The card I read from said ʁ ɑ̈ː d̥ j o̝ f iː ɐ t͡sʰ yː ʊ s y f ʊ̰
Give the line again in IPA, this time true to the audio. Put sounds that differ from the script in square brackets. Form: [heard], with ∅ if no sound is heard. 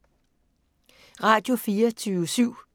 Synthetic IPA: ʁ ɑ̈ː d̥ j o̝ f iː ɐ t͡sʰ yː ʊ s y [∅] ʊ̰